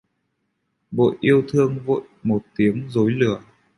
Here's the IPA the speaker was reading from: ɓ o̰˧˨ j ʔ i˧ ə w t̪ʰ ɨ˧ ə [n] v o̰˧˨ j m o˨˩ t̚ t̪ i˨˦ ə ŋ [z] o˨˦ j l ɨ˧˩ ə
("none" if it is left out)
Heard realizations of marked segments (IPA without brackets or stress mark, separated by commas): ŋ, z